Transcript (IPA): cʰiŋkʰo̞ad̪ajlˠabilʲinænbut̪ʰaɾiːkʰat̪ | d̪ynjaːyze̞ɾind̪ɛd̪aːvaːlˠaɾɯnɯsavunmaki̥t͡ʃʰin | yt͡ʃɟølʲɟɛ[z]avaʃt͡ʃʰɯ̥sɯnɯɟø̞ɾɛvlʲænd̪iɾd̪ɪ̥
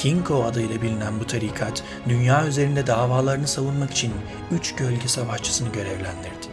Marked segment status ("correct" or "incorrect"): incorrect